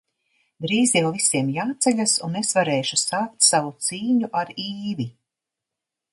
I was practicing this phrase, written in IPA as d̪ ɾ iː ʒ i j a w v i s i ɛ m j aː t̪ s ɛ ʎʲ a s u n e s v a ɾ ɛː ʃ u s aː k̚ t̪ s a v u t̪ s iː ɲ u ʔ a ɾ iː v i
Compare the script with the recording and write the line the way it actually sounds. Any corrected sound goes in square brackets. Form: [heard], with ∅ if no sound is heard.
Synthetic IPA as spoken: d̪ ɾ iː [z] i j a w v i s i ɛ m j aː t̪ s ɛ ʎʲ a s u n e s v a ɾ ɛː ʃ u s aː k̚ t̪ s a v u t̪ s iː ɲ u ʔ a ɾ iː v i

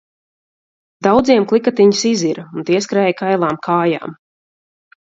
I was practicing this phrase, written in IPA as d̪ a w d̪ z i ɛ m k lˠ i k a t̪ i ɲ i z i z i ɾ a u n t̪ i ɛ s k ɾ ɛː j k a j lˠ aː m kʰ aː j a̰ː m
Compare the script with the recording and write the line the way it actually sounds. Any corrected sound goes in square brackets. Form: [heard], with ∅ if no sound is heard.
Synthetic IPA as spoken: d̪ a w d̪ z i ɛ m k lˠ i k a t̪ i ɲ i [s] i z i ɾ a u n t̪ i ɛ s k ɾ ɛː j k a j lˠ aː m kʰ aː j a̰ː m

